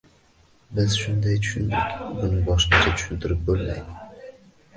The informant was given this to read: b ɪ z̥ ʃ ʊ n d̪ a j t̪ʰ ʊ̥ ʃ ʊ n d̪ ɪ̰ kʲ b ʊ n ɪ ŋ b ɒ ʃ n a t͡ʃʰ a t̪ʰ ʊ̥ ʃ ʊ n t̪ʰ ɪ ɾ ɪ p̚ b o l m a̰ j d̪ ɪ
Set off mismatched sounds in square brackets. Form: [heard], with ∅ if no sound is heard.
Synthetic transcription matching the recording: b ɪ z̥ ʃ ʊ n d̪ a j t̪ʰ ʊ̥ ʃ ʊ n d̪ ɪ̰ kʲ b ʊ n ɪ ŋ b ɒ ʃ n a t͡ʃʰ a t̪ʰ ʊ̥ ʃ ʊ n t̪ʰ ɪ ɾ ɪ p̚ b o l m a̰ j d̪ ɪ